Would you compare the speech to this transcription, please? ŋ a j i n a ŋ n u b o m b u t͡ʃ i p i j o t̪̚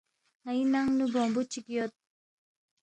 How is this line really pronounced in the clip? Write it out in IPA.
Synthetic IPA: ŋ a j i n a ŋ n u b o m b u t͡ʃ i k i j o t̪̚